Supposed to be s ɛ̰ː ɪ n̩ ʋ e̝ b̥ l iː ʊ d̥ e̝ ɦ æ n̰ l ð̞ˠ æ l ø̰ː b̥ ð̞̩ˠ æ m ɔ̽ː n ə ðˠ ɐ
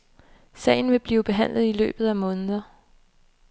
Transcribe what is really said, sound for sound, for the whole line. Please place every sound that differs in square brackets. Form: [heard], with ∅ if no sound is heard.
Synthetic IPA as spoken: s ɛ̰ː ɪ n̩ ʋ e̝ b̥ l iː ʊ [b̥] e̝ ɦ æ n̰ l ð̞ˠ [i] l ø̰ː b̥ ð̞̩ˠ æ m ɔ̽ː n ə ðˠ ɐ